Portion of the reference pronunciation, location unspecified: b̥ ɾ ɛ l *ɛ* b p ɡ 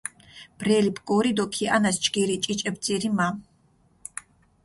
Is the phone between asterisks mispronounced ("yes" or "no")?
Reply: yes